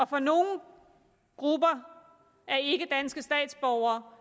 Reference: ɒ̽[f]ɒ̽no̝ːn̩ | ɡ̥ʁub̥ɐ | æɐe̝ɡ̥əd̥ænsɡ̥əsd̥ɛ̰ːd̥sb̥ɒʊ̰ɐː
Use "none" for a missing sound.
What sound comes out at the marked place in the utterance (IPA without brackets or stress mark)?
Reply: f